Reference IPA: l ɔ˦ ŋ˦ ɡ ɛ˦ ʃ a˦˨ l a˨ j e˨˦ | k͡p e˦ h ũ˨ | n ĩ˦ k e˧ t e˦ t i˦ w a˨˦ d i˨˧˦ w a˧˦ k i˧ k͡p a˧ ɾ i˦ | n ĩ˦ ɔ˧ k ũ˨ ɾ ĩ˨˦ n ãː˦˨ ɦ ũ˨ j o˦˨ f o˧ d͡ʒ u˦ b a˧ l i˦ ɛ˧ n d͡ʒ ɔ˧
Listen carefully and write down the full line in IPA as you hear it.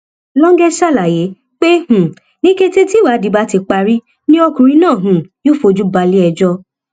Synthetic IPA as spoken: l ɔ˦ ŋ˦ ɡ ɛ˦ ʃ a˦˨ l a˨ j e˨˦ | k͡p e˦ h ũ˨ | n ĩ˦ k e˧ t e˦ t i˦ w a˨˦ d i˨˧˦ b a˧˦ t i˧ k͡p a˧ ɾ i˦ | n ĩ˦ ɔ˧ k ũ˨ ɾ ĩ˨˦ n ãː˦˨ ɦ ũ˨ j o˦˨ f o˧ d͡ʒ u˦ b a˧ l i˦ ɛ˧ d͡ʒ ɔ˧